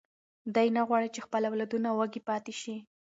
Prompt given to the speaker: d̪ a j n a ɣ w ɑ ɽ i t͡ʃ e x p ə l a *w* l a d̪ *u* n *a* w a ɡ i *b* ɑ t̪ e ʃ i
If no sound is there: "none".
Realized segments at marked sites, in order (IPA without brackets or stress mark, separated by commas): w, u, a, p